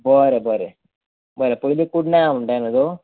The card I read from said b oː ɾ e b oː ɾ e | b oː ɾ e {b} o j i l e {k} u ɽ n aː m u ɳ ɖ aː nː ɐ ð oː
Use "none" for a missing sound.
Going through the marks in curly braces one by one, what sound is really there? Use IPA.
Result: p, k

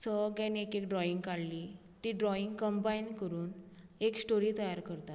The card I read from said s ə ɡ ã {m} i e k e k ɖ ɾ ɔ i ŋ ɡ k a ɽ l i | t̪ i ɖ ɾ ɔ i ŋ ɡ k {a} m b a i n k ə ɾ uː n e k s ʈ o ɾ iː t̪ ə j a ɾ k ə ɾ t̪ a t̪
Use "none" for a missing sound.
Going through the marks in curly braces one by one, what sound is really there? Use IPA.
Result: n, ə

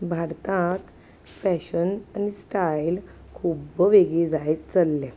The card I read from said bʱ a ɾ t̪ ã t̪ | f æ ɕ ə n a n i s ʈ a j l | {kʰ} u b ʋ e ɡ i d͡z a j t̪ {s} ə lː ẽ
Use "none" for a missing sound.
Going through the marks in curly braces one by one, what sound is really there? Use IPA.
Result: kʰ, t͡s

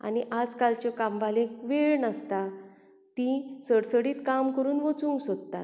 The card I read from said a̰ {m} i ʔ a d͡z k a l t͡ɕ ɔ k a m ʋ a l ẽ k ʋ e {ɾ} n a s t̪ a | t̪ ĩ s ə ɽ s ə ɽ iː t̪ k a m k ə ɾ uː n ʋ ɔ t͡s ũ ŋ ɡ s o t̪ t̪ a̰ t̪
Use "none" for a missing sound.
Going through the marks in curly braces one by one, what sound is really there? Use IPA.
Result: n, ɭ

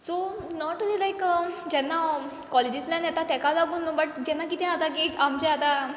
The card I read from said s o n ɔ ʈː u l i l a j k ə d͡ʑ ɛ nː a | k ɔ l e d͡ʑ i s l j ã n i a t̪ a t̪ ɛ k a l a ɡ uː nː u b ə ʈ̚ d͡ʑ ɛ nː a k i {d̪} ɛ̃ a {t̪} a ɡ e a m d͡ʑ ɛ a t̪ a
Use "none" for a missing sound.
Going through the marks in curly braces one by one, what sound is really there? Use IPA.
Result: t̪, t̪

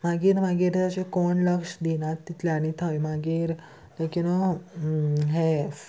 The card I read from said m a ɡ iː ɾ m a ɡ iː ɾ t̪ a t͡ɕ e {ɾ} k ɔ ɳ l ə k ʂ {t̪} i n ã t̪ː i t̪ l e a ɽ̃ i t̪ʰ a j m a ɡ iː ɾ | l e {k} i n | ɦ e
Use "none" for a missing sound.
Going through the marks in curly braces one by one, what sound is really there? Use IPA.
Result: none, d̪, k

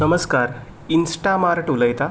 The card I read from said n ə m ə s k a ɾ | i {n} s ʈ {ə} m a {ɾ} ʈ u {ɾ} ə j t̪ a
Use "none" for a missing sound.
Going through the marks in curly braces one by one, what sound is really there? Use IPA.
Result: n, a, ɾ, l

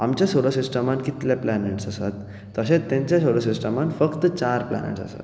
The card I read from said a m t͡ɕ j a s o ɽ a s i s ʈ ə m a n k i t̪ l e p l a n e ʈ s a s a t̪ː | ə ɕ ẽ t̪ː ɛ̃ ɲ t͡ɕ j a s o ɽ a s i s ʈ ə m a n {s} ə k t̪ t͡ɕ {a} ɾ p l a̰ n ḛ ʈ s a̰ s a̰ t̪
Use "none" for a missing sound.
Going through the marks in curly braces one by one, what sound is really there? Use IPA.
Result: f, a

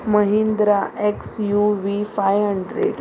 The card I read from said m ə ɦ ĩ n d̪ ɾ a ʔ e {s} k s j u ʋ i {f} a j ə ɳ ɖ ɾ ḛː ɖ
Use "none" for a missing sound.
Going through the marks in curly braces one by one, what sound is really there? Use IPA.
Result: none, f

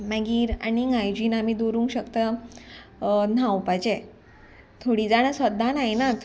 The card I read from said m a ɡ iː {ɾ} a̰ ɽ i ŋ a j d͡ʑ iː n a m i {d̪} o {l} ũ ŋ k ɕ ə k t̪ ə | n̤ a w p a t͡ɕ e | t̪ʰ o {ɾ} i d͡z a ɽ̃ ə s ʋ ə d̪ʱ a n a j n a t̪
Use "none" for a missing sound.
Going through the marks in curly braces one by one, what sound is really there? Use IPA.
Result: ɾ, d̪, ɾ, ɽ

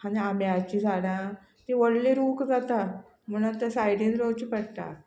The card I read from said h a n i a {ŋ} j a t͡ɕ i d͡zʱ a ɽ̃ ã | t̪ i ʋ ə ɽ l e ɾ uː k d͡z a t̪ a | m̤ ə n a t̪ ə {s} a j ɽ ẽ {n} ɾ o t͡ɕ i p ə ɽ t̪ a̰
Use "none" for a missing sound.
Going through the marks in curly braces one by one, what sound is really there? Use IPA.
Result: m, s, n

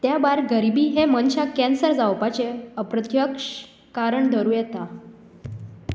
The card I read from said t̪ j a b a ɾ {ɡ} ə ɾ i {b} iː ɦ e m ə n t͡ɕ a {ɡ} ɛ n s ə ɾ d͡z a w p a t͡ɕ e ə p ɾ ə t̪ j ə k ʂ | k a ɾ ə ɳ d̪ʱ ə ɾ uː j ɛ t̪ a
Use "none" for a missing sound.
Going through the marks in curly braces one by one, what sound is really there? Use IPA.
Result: ɡ, b, k

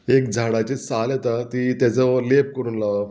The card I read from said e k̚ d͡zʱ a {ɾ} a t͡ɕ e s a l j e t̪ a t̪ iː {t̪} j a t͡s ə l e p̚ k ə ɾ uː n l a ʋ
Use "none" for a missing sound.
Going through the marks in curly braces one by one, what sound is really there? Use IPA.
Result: ɽ, t̪

